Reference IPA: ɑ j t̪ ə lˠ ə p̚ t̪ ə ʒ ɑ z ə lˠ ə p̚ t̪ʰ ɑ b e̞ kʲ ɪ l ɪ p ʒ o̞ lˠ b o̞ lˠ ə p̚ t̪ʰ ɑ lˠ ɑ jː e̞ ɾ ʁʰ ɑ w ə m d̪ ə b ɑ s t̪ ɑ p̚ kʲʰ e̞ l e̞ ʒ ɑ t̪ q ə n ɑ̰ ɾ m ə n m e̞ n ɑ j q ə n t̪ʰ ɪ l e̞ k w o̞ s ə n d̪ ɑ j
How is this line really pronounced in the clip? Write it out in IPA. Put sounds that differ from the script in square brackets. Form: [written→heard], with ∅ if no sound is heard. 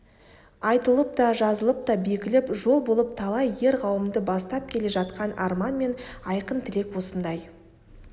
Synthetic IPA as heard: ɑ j t̪ ə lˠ ə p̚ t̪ [ə→ɑ] ʒ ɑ z ə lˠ ə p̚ [t̪ʰ→t̪] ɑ b e̞ kʲ ɪ l ɪ p ʒ o̞ lˠ b o̞ lˠ ə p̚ t̪ʰ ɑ lˠ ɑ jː e̞ ɾ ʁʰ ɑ w ə m d̪ ə b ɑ s t̪ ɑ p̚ kʲʰ e̞ l e̞ ʒ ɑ t̪ q [ə→ɑ] n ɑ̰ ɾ m [ə→ɑ] n m e̞ n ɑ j q ə n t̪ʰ ɪ l e̞ k w o̞ s ə n d̪ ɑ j